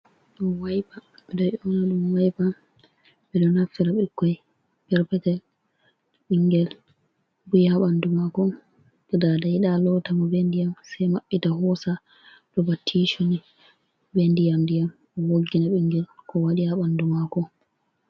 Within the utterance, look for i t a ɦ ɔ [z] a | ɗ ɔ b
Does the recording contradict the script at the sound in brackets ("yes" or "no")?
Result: yes